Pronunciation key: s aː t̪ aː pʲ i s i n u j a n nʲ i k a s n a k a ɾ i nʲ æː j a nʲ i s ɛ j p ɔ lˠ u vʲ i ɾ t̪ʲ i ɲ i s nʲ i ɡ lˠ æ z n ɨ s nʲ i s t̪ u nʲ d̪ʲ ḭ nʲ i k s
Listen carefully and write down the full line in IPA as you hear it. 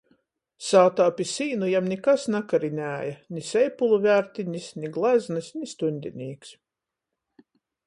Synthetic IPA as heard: s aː t̪ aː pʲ i s iː n u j a m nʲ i k a s n a k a ɾ i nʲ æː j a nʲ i s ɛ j p u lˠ u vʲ æ ɾ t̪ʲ i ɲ i s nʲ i ɡ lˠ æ z n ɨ s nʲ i s t̪ u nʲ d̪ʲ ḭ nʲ iː k s

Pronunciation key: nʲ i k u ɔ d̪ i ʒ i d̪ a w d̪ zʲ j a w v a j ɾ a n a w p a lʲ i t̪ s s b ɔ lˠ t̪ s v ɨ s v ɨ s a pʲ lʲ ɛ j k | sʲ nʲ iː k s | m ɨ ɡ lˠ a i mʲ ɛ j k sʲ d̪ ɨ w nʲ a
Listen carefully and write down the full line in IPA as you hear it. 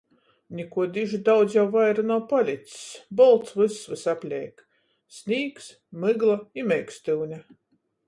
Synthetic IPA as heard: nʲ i k u ɔ d̪ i ʒ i d̪ a w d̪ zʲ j a w v a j ɾ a n a w p a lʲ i t̪ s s b ɔ lˠ t̪ s v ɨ s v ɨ s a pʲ lʲ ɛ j k | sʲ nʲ iː k s | m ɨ ɡ lˠ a i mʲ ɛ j k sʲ t̪ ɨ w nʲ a

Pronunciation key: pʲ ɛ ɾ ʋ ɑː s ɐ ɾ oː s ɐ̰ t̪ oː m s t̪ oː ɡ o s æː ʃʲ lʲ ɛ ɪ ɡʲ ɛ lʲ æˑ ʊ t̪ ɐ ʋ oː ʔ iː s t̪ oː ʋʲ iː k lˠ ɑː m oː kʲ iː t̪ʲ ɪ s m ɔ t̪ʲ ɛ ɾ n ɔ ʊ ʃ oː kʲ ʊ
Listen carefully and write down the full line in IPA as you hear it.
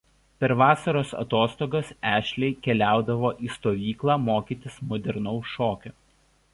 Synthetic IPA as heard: pʲ ɛ ɾ ʋ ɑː s ɐ ɾ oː s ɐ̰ t̪ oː s t̪ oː ɡ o s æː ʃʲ lʲ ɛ ɪ kʲ ɛ lʲ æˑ ʊ d̪ ɐ ʋ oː ʔ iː s t̪ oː ʋʲ iː k lˠ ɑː m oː kʲ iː t̪ʲ ɪ s m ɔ d̪ʲ ɛ ɾ n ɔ ʊ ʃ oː kʲ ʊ

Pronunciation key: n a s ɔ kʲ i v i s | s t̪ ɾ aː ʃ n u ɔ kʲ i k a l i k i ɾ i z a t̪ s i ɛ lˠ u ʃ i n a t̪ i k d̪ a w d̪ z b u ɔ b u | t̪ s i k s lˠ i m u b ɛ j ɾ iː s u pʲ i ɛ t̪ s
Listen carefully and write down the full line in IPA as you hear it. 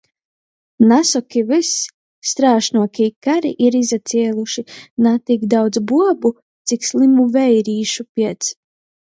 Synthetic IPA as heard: n a s ɔ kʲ i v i s | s t̪ ɾ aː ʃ n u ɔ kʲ i k a ɾ i ʔ i ɾ i z a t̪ s i ɛ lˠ u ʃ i n a t̪ i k d̪ a w d̪ z b u ɔ b u | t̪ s i k s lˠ i m u v ɛ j ɾ iː ʃ u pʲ i ɛ t̪ s

